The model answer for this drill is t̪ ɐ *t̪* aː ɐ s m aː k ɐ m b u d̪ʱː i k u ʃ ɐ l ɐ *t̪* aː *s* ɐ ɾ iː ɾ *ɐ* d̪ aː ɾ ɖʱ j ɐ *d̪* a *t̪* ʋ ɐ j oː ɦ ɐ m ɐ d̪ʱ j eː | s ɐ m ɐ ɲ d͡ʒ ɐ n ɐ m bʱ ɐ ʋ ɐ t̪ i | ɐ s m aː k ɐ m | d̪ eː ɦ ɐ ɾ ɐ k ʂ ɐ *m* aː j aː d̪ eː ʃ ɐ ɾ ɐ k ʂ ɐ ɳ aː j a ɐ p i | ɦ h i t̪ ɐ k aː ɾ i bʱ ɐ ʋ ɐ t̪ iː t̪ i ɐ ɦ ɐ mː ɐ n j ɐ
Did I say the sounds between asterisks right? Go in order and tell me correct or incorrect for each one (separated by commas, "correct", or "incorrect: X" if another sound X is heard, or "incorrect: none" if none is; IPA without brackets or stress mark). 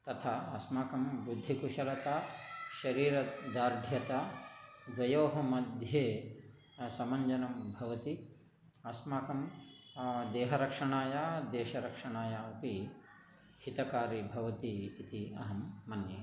incorrect: t̪ʰ, correct, incorrect: ʃ, correct, incorrect: t̪, incorrect: d̪, incorrect: ɳ